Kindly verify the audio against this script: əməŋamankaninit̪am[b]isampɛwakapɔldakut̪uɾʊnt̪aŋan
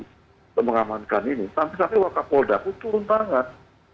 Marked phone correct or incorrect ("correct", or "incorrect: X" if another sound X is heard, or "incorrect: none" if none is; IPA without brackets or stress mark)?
incorrect: p